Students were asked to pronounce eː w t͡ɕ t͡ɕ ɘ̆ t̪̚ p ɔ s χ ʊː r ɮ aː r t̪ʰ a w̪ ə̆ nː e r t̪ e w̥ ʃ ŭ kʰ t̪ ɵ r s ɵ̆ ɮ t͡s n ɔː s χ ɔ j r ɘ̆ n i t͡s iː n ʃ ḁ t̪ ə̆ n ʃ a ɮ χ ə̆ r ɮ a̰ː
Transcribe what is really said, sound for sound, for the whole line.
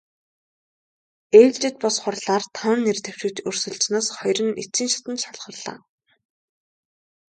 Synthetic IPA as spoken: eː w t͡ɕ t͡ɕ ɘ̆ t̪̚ p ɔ s χ ʊ r ɮ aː r t̪ʰ a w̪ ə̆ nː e r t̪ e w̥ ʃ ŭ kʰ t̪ ɵ r s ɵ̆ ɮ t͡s n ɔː s χ ɔ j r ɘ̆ n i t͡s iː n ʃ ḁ t̪ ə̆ n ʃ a ɮ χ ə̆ r ɮ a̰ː

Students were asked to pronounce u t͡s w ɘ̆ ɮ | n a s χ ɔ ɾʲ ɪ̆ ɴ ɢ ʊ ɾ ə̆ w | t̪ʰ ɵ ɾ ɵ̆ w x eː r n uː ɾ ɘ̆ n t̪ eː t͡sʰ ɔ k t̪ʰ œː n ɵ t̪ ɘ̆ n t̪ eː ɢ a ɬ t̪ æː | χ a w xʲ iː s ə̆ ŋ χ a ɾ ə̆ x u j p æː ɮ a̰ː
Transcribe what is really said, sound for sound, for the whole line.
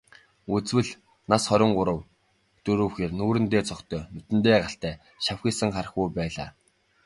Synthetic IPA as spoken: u t͡s w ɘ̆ ɮ | n a s χ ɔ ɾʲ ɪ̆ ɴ ɢ ʊ ɾ ə̆ w | t̪ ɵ ɾ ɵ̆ w x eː r n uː ɾ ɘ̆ n t̪ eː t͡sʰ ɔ k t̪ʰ œː n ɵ t̪ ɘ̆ n t̪ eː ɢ a ɬ t̪ æː | ʃ a w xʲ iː s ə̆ ŋ χ a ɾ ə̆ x u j p æː ɮ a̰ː

